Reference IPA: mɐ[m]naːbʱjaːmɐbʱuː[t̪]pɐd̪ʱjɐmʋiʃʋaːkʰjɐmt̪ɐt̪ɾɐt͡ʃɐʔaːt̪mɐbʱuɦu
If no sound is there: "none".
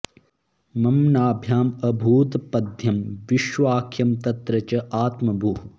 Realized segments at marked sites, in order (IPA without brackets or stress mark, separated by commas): m, t̪